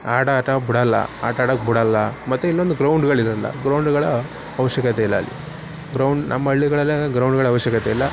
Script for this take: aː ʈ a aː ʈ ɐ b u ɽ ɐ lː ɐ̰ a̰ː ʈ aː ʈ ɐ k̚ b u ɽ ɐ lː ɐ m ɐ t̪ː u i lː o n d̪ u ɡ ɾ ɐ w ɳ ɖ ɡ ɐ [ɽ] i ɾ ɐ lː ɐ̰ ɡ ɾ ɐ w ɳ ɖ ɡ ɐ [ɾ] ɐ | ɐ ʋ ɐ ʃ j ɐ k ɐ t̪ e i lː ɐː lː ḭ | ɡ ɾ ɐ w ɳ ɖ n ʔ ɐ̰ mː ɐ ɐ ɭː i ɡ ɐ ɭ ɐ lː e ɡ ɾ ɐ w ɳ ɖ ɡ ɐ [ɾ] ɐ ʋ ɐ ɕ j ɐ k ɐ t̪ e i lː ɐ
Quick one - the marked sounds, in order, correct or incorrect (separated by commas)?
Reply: incorrect, incorrect, incorrect